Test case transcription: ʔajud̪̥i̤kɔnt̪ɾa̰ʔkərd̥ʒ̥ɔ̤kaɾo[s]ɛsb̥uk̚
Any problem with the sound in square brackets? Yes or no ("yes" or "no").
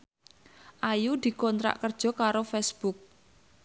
yes